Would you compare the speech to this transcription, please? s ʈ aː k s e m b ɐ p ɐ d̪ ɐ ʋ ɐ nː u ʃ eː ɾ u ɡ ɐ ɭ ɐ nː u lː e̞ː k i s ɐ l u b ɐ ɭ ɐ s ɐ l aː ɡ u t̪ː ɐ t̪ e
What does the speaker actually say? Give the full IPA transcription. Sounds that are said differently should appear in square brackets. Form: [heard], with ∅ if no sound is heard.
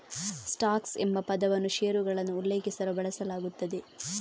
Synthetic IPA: s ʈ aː k s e m b ɐ p ɐ d̪ ɐ ʋ ɐ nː u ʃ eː ɾ u ɡ ɐ ɭ ɐ nː [uː] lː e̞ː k i s ɐ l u b ɐ ɭ ɐ s ɐ l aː ɡ u t̪ː ɐ [d̪] e